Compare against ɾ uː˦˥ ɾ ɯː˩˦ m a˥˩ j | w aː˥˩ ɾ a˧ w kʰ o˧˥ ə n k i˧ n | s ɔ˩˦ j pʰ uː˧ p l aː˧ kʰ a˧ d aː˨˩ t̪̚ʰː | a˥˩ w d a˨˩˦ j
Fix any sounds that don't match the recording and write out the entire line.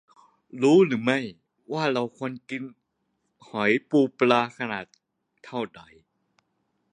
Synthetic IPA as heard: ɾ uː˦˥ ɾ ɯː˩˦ m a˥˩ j | w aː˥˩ ɾ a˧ w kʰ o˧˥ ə n k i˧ n | h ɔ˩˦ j p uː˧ p l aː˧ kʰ a˧ n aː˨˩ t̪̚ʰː | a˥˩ w d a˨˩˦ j